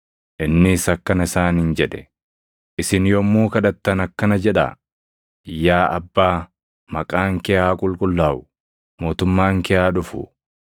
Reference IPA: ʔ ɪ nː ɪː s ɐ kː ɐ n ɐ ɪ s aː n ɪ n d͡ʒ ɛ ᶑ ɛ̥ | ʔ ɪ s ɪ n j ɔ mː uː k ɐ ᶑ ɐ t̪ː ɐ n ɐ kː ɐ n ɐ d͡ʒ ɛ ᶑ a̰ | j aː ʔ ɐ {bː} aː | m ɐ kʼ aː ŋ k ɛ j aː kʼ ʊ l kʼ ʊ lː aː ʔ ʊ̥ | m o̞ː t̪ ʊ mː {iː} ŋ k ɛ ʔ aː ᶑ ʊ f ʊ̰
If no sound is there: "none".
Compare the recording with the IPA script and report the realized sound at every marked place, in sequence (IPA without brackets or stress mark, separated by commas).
bː, aː